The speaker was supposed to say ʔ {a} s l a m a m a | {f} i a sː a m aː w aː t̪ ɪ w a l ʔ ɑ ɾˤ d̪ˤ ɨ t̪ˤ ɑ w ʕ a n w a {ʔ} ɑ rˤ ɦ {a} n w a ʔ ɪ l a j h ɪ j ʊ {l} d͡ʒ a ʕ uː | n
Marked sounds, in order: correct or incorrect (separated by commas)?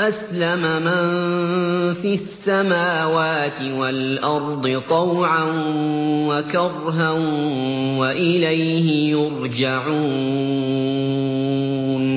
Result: correct, correct, incorrect, correct, incorrect